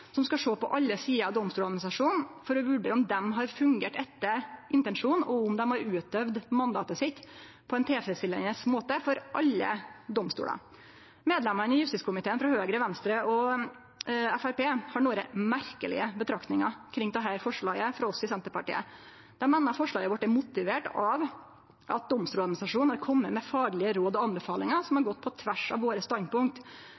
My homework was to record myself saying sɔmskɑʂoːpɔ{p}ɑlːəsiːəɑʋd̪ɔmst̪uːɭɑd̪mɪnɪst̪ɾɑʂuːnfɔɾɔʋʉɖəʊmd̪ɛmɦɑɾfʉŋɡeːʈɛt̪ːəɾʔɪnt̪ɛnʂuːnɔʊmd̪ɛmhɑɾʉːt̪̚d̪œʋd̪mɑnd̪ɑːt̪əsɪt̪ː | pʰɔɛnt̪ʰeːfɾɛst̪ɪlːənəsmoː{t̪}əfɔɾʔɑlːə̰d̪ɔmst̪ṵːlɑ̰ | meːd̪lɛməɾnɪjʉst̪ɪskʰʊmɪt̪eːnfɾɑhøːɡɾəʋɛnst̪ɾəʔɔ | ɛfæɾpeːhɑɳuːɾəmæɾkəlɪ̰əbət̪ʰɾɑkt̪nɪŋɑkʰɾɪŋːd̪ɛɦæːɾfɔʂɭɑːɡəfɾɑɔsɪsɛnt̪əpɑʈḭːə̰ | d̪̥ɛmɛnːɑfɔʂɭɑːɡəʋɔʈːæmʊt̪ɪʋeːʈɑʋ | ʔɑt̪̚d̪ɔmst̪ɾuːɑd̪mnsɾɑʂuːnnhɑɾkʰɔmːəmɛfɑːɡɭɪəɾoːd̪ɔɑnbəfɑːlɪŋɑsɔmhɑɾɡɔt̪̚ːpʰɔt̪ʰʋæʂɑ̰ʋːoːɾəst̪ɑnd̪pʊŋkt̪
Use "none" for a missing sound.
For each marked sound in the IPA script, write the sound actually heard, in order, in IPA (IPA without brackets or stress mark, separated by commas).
ʔ, t̪